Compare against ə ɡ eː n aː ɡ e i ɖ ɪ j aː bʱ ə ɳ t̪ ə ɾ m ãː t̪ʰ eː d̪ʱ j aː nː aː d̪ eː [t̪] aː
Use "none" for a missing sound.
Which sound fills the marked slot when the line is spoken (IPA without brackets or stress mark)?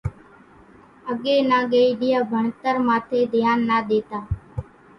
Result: t̪